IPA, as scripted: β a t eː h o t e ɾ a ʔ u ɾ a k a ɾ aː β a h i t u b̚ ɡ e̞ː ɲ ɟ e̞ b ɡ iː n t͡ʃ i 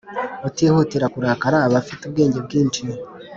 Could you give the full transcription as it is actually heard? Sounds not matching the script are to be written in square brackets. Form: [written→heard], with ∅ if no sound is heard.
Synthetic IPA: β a t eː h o t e ɾ a [ʔ→k] u ɾ a k a ɾ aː β a [h→f] i t u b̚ ɡ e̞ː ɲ ɟ e̞ b ɡ iː n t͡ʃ i